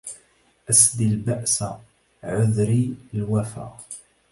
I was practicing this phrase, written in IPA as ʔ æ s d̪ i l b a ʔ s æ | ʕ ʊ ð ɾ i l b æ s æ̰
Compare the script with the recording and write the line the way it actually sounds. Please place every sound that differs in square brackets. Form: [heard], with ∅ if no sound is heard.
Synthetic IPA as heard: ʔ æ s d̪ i l b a ʔ s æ | ʕ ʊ ð ɾ i l [w] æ [f] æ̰